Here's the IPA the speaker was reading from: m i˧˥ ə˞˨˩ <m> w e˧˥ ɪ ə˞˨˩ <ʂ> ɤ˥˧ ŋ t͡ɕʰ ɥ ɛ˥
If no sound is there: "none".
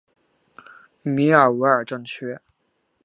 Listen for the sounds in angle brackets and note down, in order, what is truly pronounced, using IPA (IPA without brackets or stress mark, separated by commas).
none, ʈ͡ʂ